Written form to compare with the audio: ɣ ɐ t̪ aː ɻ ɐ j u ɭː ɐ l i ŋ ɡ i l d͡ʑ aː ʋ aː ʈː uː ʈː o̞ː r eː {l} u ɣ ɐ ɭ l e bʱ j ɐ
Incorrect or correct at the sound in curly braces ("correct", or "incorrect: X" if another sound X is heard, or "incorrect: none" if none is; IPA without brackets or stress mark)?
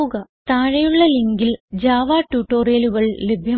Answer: correct